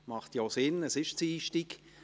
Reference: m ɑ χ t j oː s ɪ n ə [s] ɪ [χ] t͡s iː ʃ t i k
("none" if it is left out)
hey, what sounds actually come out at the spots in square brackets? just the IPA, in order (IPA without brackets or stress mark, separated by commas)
s, ʃ